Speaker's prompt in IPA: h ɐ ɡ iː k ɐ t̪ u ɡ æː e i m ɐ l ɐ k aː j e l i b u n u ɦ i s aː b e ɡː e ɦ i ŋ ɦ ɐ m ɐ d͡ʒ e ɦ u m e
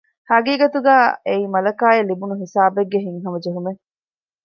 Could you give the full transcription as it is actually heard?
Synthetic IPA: h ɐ ɡ iː ɡ ɐ t̪ u ɡ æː e i m ɐ l ɐ k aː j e l i b u n u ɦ i s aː b e ɡː e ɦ i ŋ ɦ ɐ m ɐ d͡ʒ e ɦ u m e